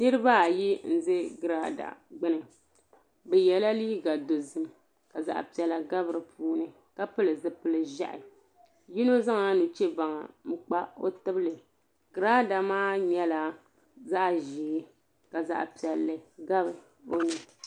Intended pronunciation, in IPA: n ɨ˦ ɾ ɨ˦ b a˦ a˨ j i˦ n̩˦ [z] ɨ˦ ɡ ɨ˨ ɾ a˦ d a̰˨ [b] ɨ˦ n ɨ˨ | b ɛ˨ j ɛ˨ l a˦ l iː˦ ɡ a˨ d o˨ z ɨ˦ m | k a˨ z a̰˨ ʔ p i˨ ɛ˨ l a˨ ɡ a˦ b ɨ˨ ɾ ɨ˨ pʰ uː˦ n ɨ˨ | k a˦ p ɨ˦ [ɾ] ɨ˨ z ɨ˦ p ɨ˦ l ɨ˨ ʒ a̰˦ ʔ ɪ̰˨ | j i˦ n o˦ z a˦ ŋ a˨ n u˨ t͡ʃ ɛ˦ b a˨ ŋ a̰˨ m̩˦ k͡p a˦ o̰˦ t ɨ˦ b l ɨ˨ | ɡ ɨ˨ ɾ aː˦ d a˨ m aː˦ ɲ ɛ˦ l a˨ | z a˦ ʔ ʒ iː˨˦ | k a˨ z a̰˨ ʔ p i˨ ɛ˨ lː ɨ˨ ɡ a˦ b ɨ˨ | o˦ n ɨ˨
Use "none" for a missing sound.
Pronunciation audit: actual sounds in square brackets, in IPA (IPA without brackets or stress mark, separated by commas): z, ɡ͡b, l